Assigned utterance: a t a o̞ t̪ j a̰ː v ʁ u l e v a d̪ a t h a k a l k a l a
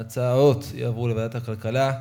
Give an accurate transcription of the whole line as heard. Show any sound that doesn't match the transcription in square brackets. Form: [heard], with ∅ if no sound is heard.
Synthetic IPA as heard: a [t͡s] a o̞ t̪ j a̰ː v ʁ u l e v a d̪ a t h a k a l k a l a